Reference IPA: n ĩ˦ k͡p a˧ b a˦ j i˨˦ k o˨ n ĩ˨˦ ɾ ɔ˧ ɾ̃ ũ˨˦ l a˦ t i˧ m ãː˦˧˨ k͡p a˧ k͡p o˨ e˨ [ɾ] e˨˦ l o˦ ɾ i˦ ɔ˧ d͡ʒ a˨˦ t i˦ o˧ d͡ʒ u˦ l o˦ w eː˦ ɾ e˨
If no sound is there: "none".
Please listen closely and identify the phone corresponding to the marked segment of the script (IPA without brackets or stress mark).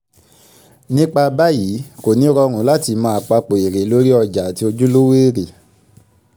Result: ɾ